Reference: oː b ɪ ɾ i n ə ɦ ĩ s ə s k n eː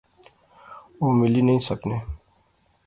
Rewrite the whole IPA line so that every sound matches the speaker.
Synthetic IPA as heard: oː m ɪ l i n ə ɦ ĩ s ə k n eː